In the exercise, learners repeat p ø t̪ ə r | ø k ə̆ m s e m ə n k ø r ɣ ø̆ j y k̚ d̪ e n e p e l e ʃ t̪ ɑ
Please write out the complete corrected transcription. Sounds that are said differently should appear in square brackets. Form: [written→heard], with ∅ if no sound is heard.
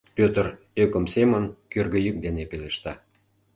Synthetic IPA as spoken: p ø t̪ ə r | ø k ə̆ m s e m ə n k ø r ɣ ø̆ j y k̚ d̪ e n e p e l e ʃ t̪ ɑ